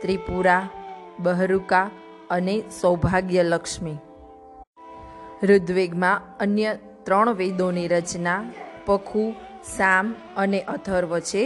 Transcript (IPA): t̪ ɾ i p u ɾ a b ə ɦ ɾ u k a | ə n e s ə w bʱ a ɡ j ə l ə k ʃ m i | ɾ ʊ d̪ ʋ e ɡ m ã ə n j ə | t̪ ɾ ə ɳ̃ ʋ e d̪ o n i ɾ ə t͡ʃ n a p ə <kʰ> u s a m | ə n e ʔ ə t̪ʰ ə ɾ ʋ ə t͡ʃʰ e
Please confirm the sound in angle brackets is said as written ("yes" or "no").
yes